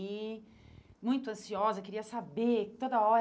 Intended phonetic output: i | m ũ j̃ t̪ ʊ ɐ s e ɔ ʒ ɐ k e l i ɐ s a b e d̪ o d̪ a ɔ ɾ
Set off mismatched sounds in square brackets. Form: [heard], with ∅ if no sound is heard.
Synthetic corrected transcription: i | m ũ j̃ t̪ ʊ [ɐ̃] s [i] ɔ [z] ɐ k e [ɾ] i ɐ s a b e [t̪] o d̪ [ɐ] ɔ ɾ

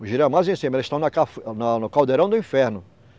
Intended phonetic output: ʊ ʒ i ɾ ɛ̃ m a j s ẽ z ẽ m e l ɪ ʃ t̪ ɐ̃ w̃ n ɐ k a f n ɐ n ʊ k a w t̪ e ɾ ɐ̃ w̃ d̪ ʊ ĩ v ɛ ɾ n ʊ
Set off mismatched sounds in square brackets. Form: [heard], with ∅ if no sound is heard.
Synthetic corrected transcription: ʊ ʒ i ɾ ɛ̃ m a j [z] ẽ [s] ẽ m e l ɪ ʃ t̪ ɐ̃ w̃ n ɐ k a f n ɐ n ʊ k a w [d̪] e ɾ ɐ̃ w̃ d̪ ʊ ĩ [f] ɛ ɾ n ʊ

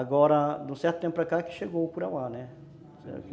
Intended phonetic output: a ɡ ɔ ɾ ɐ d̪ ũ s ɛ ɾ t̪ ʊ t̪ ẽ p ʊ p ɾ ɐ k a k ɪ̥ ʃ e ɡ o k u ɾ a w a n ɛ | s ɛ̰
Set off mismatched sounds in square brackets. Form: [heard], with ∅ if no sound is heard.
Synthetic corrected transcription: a ɡ ɔ ɾ ɐ d̪ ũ s ɛ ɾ t̪ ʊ t̪ ẽ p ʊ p ɾ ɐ k a k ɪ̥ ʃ e ɡ o k u ɾ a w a n ɛ | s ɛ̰

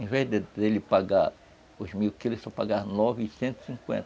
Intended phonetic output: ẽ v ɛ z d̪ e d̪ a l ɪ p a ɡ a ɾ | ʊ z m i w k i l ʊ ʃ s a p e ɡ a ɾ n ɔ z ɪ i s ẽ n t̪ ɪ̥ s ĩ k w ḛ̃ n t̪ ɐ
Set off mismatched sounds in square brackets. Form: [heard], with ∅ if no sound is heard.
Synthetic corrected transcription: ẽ v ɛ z d̪ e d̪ [e] l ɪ p a ɡ a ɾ | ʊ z m i w k i l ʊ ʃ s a p [a] ɡ a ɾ n ɔ [v] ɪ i s ẽ n t̪ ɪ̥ s ĩ k w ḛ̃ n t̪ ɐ

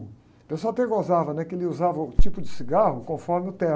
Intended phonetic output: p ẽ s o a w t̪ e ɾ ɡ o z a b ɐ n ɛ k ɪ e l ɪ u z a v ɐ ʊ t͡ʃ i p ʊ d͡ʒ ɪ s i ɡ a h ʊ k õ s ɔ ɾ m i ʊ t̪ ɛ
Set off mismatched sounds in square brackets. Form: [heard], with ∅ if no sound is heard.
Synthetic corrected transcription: p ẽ s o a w t̪ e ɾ ɡ o z a [v] ɐ n ɛ k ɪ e l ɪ u z a v ɐ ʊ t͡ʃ i p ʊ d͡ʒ ɪ s i ɡ a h ʊ k õ [f] ɔ ɾ m [ɪ] ʊ t̪ ɛ

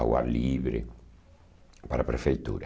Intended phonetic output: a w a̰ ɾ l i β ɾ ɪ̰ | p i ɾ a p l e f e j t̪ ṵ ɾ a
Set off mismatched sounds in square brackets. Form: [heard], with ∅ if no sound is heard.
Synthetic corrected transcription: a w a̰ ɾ l i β ɾ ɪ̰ | p [a] ɾ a p [ɾ] e f e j t̪ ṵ ɾ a

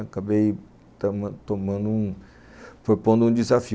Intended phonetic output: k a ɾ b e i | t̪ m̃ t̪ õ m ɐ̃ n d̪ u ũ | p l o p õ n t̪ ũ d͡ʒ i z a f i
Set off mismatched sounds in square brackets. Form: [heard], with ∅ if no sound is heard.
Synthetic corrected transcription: k a [∅] b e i | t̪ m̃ t̪ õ m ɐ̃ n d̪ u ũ | p [ɾ] o p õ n [d̪] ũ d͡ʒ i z a f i

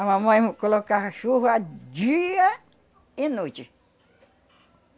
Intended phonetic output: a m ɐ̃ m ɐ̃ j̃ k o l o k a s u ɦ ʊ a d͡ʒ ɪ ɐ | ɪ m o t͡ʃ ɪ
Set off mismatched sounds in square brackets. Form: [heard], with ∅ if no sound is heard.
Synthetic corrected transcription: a m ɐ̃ m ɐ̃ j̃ k o l o k a [ʃ] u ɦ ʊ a d͡ʒ [i] ɐ | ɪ [n] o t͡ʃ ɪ

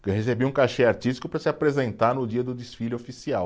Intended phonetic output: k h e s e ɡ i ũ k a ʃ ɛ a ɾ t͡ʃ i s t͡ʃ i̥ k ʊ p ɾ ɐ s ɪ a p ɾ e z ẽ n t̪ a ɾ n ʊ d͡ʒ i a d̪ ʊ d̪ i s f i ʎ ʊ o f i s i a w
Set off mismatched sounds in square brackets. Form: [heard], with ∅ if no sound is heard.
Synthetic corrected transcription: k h e s e [b] i ũ k a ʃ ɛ a ɾ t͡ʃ i s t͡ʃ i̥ k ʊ p ɾ ɐ s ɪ a p ɾ e z ẽ n t̪ a ɾ n ʊ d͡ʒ i [ɐ] d̪ ʊ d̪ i s f i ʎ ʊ o f i s i a w

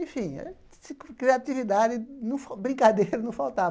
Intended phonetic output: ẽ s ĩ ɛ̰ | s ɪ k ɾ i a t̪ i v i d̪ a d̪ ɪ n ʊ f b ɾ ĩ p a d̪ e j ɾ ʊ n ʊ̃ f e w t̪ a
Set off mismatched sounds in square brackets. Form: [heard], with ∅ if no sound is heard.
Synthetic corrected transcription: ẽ [f] ĩ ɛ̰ | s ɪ k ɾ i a t̪ i v i d̪ a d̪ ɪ n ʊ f b ɾ ĩ [k] a d̪ e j ɾ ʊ n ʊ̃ f [a] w t̪ a

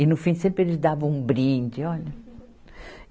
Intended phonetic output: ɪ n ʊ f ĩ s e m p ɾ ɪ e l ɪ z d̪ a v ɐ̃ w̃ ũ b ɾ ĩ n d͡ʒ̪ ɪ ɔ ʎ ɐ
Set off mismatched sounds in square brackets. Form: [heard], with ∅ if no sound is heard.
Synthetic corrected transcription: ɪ n ʊ f ĩ s [ẽ] m p ɾ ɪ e l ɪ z d̪ a v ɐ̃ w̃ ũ b ɾ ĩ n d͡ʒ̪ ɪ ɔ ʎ ɐ

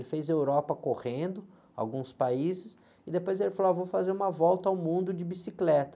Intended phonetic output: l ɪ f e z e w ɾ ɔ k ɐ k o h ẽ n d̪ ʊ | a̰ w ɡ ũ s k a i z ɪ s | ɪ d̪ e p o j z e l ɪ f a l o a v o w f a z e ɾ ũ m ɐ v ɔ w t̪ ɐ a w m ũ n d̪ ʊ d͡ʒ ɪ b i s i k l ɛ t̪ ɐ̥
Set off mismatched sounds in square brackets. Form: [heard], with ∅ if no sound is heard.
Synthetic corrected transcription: l ɪ f e z e w ɾ ɔ [p] ɐ k o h ẽ n d̪ ʊ | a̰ w ɡ ũ s [p] a i z ɪ s | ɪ d̪ e p o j z e l ɪ f a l o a v o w f a z e ɾ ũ m ɐ v ɔ w t̪ ɐ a w m ũ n d̪ ʊ d͡ʒ ɪ b i s i k l ɛ t̪ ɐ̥

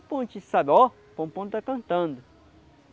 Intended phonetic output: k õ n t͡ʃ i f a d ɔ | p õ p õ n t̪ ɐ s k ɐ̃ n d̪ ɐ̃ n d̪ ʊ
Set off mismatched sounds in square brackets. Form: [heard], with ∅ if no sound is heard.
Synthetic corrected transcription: [p] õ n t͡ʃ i [s] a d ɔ | p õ p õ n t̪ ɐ [∅] k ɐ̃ n [t̪] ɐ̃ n d̪ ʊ

